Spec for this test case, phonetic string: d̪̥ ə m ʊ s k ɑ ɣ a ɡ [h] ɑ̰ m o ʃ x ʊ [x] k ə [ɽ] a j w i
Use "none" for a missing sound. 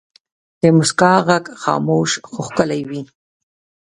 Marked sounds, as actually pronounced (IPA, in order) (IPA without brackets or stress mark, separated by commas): x, x, l